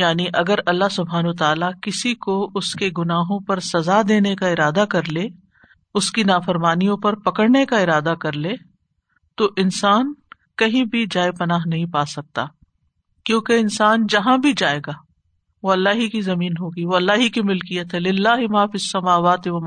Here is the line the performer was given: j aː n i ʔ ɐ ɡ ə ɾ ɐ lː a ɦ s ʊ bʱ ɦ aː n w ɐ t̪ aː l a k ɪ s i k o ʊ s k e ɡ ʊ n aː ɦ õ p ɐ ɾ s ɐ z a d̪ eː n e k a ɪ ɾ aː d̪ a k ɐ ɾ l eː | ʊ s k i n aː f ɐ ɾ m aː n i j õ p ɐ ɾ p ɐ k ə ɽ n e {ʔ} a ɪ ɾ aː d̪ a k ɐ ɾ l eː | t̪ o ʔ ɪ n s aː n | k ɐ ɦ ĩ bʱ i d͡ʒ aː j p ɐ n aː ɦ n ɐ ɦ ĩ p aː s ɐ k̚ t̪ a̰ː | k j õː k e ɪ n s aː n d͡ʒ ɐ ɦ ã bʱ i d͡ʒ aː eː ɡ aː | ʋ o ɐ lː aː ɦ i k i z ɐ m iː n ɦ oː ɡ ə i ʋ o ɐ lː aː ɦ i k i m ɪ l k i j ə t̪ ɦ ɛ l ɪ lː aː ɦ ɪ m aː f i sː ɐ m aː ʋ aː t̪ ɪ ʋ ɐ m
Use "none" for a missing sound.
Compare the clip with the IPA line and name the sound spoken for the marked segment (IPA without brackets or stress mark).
k